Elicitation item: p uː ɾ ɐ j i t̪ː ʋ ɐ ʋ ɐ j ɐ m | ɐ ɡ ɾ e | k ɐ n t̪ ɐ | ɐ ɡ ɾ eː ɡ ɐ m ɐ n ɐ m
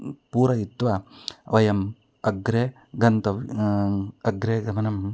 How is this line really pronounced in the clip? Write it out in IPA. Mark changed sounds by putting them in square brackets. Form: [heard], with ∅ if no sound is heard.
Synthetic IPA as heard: p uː ɾ ɐ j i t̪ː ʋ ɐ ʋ ɐ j ɐ m | ɐ ɡ ɾ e | [ɡ] ɐ n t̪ ɐ | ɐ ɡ ɾ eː ɡ ɐ m ɐ n ɐ m